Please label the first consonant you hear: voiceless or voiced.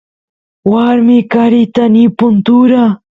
voiced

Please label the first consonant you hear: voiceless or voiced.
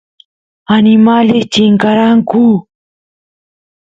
voiced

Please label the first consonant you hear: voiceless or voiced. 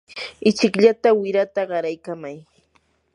voiceless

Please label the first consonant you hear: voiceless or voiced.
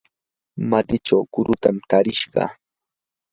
voiced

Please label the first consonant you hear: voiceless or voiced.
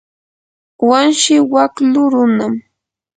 voiced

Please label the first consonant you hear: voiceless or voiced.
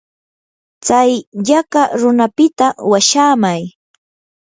voiceless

